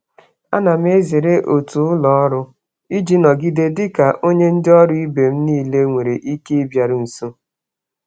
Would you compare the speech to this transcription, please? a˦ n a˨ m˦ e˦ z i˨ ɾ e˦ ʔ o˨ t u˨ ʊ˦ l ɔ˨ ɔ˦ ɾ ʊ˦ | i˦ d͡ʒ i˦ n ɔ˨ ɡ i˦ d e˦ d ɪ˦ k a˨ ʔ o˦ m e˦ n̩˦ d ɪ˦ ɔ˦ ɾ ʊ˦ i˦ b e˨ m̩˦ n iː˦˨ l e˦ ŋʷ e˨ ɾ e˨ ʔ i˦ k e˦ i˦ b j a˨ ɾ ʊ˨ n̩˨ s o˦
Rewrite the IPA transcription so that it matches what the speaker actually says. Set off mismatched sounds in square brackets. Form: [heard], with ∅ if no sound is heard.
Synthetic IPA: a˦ n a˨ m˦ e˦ z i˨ ɾ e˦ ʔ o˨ t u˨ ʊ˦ l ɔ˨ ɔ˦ ɾ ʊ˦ | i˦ d͡ʒ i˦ n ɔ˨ ɡ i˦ d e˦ d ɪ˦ k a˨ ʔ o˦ [ɲ] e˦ n̩˦ d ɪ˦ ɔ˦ ɾ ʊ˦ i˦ b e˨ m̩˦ n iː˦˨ l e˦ ŋʷ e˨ ɾ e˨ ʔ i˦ k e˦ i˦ b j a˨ ɾ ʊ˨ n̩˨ s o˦